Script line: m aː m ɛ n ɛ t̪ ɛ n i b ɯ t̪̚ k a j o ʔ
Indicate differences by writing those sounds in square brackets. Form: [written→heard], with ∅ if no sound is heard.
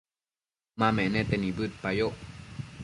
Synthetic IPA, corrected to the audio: m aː m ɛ n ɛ t̪ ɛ n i b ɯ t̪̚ [k→p] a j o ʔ